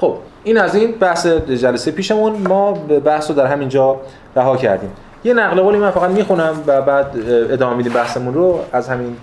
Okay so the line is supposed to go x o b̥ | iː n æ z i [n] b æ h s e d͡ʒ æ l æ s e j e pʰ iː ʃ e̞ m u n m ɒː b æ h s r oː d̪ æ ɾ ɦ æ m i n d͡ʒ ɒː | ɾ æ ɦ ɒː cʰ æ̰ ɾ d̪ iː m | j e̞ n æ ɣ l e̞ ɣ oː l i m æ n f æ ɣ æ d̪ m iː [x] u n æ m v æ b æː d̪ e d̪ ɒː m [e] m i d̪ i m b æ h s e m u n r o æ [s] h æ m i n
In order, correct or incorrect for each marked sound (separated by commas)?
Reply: correct, correct, correct, incorrect